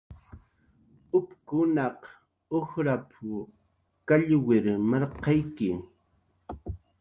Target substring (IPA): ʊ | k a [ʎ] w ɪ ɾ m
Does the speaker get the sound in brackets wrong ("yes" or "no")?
no